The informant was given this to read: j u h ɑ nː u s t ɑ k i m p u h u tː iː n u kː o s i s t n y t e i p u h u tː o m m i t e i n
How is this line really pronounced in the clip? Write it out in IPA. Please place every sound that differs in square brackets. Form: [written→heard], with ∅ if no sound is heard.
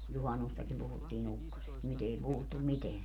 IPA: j u h ɑ nː u s t ɑ k i m p u h u tː iː n u kː o s [i→e] s t n y t e i p u h u tː [o→u] m m i t e [i→æ] n